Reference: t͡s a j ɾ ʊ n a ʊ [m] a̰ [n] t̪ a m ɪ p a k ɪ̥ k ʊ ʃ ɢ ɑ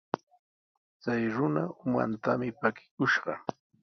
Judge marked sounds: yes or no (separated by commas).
yes, yes